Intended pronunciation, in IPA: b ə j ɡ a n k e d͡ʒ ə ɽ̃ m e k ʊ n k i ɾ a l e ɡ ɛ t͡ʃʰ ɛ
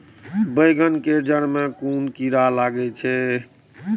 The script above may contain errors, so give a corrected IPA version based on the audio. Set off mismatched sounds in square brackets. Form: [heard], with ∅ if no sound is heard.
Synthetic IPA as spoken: b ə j ɡ [ə] n k e d͡ʒ ə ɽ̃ m e k [u] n k i ɾ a l [a] ɡ ɛ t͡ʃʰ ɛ